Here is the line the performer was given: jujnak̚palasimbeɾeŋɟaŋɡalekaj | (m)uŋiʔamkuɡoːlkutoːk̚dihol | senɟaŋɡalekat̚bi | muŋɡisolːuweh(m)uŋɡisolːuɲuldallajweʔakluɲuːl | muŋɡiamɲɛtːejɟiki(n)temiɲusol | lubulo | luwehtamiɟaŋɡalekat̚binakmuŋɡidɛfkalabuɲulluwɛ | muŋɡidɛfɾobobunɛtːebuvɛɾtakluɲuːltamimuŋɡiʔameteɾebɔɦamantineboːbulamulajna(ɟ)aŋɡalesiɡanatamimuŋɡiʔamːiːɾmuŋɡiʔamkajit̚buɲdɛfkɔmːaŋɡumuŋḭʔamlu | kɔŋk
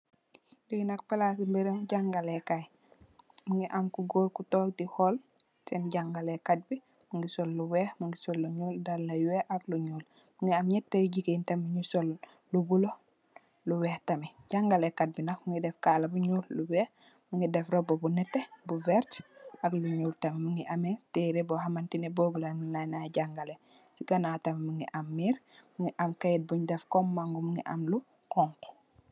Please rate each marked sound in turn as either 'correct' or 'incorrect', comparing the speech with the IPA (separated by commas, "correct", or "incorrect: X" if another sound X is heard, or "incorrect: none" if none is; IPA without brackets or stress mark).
correct, correct, correct, correct